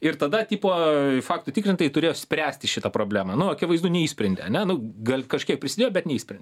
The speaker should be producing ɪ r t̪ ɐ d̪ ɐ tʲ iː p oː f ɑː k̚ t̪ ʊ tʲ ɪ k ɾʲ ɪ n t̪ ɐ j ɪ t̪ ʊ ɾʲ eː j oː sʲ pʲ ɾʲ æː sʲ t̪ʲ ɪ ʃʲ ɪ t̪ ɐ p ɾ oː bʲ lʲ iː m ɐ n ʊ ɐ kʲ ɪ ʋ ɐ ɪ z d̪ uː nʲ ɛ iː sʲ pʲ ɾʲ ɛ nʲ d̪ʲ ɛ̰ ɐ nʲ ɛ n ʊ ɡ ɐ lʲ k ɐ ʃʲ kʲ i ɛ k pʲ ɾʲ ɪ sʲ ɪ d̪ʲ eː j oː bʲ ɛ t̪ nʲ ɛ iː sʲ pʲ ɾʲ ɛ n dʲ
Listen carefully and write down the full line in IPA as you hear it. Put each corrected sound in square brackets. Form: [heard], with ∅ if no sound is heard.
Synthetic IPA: ɪ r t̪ ɐ d̪ ɐ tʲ iː p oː f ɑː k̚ t̪ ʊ tʲ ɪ k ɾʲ ɪ n t̪ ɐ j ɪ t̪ ʊ ɾʲ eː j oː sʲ pʲ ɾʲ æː sʲ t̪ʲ ɪ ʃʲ ɪ t̪ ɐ p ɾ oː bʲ lʲ [æː] m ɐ n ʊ ɐ kʲ ɪ ʋ ɐ ɪ z d̪ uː nʲ ɛ iː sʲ pʲ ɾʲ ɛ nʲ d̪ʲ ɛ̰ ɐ nʲ ɛ n ʊ ɡ ɐ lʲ k ɐ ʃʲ kʲ i ɛ k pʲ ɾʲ ɪ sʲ ɪ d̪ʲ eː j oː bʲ ɛ t̪ nʲ ɛ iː sʲ pʲ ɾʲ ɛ n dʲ

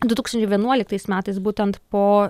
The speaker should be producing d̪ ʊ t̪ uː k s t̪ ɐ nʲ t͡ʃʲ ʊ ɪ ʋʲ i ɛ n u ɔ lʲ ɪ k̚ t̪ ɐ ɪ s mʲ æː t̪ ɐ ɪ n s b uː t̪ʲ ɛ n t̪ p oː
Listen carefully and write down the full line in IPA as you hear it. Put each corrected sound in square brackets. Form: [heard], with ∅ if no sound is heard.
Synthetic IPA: d̪ ʊ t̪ uː k s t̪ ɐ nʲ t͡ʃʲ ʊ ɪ ʋʲ i ɛ n u ɔ lʲ ɪ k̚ t̪ ɐ ɪ s mʲ æː t̪ ɐ ɪ [∅] s b uː t̪ʲ ɛ n t̪ p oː

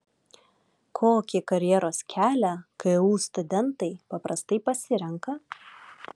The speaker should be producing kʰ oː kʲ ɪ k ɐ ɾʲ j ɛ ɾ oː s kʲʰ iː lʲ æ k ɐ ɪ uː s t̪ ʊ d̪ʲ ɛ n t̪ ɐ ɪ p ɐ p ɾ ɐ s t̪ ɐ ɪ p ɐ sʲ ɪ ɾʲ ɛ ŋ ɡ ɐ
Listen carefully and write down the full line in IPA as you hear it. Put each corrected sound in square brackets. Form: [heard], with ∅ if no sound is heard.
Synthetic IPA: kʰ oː kʲ ɪ k ɐ ɾʲ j ɛ ɾ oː s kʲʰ [æː] lʲ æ k ɐ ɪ uː s t̪ ʊ d̪ʲ ɛ n t̪ ɐ ɪ p ɐ p ɾ ɐ s t̪ ɐ ɪ p ɐ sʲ ɪ ɾʲ ɛ ŋ [k] ɐ

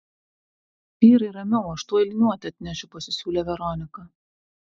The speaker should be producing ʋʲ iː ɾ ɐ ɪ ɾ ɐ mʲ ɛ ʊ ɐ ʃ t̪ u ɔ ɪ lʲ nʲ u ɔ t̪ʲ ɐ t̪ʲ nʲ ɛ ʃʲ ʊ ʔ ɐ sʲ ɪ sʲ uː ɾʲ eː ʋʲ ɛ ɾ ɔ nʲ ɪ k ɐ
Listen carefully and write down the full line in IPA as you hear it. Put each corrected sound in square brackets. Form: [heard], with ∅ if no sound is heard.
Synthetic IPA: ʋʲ iː ɾ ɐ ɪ ɾ ɐ mʲ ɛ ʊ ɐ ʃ t̪ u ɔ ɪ lʲ nʲ u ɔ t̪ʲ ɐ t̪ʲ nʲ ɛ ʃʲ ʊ [p] ɐ sʲ ɪ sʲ uː [lʲ] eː ʋʲ ɛ ɾ ɔ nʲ ɪ k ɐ

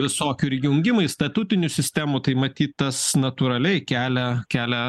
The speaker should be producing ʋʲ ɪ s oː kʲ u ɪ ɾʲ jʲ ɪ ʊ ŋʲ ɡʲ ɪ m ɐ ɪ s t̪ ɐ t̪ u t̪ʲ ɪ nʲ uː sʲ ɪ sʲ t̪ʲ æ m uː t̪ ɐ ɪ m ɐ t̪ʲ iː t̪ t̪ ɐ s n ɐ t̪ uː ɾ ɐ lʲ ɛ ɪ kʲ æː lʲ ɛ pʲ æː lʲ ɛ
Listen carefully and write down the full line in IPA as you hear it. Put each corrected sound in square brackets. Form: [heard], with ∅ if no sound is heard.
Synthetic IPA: ʋʲ ɪ s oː kʲ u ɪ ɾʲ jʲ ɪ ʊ ŋʲ ɡʲ ɪ m ɐ ɪ s t̪ ɐ t̪ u t̪ʲ ɪ nʲ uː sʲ ɪ sʲ t̪ʲ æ m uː t̪ ɐ ɪ m ɐ t̪ʲ iː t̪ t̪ ɐ s n ɐ t̪ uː ɾ ɐ lʲ ɛ ɪ kʲ æː lʲ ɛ [kʲ] æː lʲ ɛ

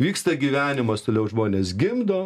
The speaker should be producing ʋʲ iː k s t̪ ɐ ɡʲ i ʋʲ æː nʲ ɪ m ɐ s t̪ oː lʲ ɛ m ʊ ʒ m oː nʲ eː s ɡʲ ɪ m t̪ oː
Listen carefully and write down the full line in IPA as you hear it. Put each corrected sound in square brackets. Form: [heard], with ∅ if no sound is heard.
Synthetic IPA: ʋʲ iː k s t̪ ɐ ɡʲ i ʋʲ æː nʲ ɪ m ɐ s t̪ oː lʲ ɛ [∅] ʊ ʒ m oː nʲ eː s ɡʲ ɪ m [d̪] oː

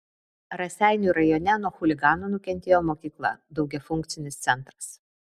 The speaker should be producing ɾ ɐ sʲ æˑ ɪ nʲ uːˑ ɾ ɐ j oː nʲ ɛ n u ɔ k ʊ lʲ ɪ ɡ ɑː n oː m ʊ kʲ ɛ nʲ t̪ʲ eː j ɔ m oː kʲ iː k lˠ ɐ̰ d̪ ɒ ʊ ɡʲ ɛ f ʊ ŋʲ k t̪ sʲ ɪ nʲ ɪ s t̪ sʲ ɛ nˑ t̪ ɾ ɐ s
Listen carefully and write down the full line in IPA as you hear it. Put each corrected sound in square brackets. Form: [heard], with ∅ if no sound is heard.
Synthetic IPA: ɾ ɐ sʲ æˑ ɪ nʲ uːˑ ɾ ɐ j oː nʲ ɛ n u ɔ [x] ʊ lʲ ɪ ɡ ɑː n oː [n] ʊ kʲ ɛ nʲ t̪ʲ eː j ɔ m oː kʲ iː k lˠ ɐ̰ d̪ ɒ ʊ ɡʲ ɛ f ʊ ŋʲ k t̪ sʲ ɪ nʲ ɪ s t̪ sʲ ɛ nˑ t̪ ɾ ɐ s

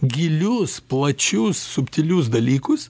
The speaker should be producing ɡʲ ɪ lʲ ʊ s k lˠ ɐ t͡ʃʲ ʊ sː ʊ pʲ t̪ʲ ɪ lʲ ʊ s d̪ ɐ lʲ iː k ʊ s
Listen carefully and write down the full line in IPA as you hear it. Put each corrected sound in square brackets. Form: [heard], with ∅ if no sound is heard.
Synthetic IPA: ɡʲ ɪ lʲ ʊ s [p] lˠ ɐ t͡ʃʲ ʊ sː ʊ pʲ t̪ʲ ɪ lʲ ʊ s d̪ ɐ lʲ iː k ʊ s

